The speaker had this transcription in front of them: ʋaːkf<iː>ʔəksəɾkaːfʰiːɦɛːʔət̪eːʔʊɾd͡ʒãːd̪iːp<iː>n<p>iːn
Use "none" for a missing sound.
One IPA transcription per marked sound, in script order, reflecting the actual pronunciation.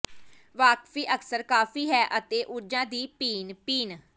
iː, iː, p

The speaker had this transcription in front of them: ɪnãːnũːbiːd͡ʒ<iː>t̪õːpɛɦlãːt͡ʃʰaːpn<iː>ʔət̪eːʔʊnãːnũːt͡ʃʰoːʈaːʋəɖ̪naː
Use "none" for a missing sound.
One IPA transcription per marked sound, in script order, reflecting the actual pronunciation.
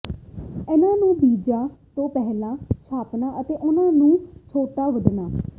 aː, aː

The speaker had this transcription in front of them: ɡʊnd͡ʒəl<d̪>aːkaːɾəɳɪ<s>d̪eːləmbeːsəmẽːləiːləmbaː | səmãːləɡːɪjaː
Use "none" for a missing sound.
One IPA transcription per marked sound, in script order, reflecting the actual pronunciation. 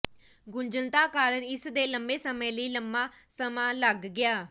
t̪, s

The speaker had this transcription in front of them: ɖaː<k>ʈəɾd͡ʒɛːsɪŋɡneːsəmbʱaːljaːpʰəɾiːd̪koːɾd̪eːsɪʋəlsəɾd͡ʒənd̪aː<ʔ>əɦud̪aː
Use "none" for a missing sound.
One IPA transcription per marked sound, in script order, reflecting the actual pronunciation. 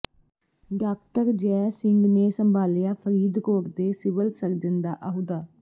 k, ʔ

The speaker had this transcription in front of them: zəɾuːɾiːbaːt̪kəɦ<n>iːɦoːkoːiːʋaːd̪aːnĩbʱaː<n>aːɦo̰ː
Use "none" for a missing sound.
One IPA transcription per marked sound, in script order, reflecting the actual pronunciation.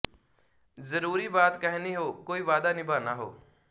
n, n

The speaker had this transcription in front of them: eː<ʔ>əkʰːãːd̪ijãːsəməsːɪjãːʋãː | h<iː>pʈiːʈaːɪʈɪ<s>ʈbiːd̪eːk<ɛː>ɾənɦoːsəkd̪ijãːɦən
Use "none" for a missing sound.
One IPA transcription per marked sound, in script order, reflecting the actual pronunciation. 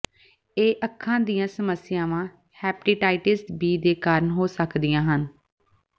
ʔ, ɛː, s, aː

